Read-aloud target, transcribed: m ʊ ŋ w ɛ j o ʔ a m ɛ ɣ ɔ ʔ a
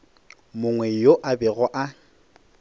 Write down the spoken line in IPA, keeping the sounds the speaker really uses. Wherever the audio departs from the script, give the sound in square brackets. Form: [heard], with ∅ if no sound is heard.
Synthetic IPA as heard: m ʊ ŋ w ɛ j o ʔ a [b] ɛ ɣ ɔ ʔ a